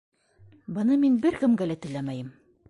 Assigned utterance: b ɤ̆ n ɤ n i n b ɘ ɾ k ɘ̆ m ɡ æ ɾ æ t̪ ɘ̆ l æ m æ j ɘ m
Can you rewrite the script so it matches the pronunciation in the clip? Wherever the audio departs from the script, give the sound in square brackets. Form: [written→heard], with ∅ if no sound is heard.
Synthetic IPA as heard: b ɤ̆ n ɤ [n→m] i n b ɘ ɾ k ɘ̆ m ɡ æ [ɾ→l] æ t̪ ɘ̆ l æ m æ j ɘ m